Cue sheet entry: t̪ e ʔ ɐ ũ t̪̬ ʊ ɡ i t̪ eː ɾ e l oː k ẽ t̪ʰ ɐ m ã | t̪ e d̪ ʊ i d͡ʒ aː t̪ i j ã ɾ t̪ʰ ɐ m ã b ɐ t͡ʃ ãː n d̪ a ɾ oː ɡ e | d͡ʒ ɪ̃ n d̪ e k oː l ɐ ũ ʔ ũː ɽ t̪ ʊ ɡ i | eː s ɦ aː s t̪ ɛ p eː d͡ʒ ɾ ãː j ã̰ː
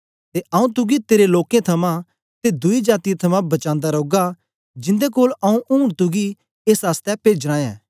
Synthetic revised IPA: t̪ e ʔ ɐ ũ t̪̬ ʊ ɡ i t̪ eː ɾ e l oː k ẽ t̪ʰ ɐ m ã | t̪ e d̪ ʊ i d͡ʒ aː t̪ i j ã t̪ʰ ɐ m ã b ɐ t͡ʃ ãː n d̪ a ɾ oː ɡ a | d͡ʒ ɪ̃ n d̪ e k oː l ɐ ũ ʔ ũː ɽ t̪ ʊ ɡ i | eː s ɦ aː s t̪ ɛ p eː d͡ʒ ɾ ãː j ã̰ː